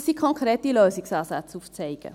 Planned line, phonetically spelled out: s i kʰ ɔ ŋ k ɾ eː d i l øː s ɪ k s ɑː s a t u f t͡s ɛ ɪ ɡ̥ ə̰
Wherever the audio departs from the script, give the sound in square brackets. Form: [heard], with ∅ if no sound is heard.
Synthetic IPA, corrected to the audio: s i kʰ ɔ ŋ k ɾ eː [t] i l øː s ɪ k s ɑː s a [t͡s] u f t͡s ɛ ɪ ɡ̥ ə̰

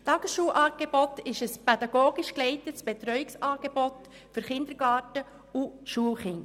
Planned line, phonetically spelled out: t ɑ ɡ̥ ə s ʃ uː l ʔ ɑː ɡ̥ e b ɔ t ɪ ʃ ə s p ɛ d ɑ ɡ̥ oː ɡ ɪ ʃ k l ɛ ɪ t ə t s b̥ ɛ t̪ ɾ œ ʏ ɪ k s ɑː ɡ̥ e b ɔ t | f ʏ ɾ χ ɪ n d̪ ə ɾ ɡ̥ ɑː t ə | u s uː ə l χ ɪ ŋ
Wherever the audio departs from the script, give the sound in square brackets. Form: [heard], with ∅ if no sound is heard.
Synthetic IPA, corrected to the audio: t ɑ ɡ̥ ə s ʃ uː l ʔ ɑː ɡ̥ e b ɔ t ɪ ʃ ə s p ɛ d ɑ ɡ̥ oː ɡ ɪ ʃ k l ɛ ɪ t ə t s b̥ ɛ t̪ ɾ œ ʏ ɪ k s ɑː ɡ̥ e b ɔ t | f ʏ ɾ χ ɪ n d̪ ə ɾ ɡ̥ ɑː t ə | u [ʃ] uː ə l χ ɪ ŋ

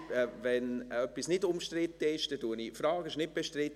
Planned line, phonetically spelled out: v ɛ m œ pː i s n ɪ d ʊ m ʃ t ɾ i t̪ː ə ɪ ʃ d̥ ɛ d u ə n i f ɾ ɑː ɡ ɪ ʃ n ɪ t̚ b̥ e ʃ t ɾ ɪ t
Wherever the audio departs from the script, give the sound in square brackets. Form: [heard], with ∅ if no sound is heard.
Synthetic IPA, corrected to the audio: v ɛ [n] œ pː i s n ɪ d ʊ m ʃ t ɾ [ɪ] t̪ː ə ɪ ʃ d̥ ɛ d u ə n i f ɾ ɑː ɡ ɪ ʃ n ɪ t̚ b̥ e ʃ t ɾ ɪ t

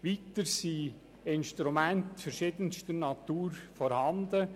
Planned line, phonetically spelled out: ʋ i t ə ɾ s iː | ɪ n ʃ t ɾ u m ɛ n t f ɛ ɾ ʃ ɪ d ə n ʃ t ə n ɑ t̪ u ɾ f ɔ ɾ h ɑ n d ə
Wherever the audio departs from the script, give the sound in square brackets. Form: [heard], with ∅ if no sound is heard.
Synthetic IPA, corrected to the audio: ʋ i t ə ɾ s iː | ɪ n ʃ t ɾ u m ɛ n t f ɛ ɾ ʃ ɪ d ə n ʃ t ə n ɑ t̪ [uː] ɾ f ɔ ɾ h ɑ n d ə

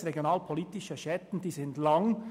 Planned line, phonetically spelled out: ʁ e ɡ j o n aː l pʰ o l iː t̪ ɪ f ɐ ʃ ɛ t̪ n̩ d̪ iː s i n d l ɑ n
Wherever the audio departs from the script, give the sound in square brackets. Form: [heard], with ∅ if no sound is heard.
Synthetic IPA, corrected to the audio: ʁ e ɡ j o n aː l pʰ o l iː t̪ ɪ [ʃ] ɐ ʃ ɛ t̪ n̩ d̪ iː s [ɪ] n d l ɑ [ŋ]

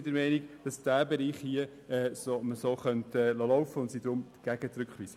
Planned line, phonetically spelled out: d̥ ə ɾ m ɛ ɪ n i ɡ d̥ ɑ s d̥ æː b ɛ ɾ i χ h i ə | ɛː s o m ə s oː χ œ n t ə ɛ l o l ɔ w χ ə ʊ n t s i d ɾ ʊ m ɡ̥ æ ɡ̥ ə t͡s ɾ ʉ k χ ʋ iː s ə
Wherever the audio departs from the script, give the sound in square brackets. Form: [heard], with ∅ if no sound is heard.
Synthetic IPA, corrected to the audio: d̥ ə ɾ m ɛ ɪ n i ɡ d̥ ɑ s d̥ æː b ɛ ɾ [iː] χ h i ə | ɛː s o m ə s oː χ œ n t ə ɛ l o l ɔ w [f] ə ʊ n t s i d ɾ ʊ m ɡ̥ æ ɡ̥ ə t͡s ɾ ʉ k χ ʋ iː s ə

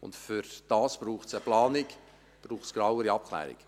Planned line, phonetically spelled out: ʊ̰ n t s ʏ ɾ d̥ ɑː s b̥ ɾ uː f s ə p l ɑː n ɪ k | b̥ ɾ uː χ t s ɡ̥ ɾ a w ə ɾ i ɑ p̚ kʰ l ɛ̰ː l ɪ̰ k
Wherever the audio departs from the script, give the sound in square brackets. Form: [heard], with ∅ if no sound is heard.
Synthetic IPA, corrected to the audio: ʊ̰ n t [f] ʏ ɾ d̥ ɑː s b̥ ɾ uː [χ] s ə p l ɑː n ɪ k | b̥ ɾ uː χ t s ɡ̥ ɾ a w ə ɾ i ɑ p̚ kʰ l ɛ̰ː [ɾ] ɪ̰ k

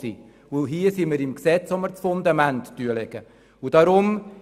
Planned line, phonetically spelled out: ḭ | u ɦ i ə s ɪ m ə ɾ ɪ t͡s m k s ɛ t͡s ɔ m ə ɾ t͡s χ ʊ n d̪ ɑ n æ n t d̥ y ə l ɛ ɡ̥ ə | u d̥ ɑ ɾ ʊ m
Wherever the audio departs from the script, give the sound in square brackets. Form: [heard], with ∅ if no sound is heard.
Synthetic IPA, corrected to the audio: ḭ | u ɦ i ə s [i] m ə ɾ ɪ [∅] m k s ɛ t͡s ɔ m ə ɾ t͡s [f] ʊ n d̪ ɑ [m] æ n t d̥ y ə l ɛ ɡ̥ ə | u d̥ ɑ ɾ ʊ m

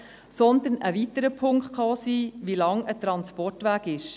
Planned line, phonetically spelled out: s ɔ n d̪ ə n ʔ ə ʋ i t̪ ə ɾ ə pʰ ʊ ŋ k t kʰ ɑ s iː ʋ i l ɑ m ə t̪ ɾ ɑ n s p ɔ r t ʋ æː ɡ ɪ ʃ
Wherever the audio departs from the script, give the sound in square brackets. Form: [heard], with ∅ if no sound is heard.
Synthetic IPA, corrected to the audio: s ɔ n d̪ ə n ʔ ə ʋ i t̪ ə ɾ ə pʰ ʊ ŋ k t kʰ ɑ s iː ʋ i l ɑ [ŋ] ə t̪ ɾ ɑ n s p ɔ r t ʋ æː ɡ ɪ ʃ

